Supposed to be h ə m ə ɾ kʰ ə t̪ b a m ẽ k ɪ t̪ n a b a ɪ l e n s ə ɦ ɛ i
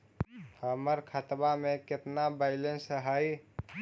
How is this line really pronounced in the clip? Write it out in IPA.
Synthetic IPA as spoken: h ə m ə ɾ kʰ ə t̪ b a m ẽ k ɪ t̪ n a b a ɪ l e n s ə ɦ a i